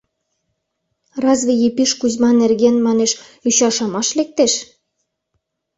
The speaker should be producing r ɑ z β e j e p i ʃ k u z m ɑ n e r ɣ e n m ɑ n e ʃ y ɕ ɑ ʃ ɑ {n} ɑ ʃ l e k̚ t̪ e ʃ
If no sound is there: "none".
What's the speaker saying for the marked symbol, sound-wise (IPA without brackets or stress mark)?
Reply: m